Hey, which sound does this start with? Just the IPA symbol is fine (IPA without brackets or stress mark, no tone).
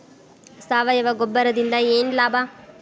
s